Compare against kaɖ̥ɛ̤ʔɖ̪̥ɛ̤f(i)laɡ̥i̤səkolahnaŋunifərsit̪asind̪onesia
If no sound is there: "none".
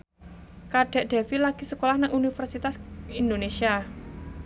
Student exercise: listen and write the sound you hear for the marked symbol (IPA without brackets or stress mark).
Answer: i